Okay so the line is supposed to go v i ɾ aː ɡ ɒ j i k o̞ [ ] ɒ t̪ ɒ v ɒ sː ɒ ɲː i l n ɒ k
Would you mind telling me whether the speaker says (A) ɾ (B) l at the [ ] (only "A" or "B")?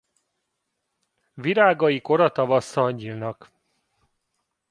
A